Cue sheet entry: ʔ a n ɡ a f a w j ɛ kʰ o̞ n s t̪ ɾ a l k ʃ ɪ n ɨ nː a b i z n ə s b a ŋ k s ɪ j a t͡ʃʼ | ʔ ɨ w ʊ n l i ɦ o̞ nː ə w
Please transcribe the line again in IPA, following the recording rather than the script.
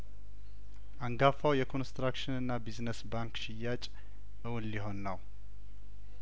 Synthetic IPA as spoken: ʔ a ŋ ɡ a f a w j ɛ kʰ o̞ n s t̪ ɾ a k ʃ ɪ n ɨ nː a b i z n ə s b a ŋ k ʃ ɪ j a t͡ʃʼ | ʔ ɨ w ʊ n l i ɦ o̞ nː ə w

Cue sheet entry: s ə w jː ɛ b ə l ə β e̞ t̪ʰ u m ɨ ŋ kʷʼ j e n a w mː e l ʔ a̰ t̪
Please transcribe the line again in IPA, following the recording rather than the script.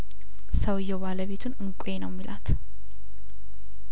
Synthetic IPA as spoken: s ə w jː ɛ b a l ə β e̞ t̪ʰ u n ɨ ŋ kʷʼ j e n ə w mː i l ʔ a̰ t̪

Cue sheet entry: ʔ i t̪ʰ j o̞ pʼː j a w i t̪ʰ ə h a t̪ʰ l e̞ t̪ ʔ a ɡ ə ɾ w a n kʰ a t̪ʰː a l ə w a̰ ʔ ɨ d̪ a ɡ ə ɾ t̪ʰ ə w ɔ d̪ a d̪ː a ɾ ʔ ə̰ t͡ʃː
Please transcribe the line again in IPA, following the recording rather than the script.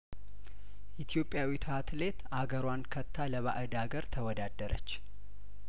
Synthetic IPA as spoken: ʔ i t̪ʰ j o̞ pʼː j a w i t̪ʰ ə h a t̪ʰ l e̞ t̪ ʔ a ɡ ə ɾ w a n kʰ ə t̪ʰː a l ə β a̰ ʔ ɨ d̪ a ɡ ə ɾ t̪ʰ ə w ɔ d̪ a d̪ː ə ɾ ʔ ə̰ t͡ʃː

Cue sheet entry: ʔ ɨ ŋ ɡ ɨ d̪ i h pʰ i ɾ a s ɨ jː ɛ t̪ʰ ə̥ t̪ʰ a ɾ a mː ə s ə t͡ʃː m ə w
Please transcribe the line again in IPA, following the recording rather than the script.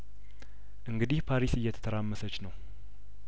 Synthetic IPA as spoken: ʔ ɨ ŋ ɡ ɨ d̪ i h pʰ a ɾ i s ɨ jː ɛ t̪ʰ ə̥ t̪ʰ ə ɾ a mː ə s ə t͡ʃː n ə w

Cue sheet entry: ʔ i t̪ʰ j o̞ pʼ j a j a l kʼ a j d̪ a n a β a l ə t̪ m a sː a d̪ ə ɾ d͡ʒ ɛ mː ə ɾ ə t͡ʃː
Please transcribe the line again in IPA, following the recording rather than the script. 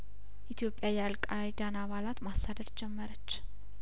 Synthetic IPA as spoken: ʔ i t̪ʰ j o̞ pʼ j a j a l kʼ a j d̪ a n a β a l a t̪ m a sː a d̪ ə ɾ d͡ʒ ɛ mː ə ɾ ə t͡ʃː

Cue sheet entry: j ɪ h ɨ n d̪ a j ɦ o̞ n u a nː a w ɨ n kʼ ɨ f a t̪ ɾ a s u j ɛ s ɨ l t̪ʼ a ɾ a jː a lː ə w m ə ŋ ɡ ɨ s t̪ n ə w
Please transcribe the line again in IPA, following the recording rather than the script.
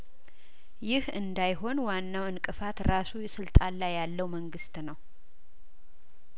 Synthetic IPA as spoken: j ɪ h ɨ n d̪ a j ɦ o̞ n w a nː a w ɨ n kʼ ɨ f a t̪ ɾ a s u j ɛ s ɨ l t̪ʼ a l a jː a lː ə w m ə ŋ ɡ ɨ s t̪ n ə w

